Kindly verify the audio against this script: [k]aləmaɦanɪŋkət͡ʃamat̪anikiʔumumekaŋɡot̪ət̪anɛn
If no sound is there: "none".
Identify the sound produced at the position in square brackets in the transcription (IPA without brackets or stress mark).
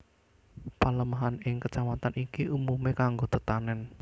p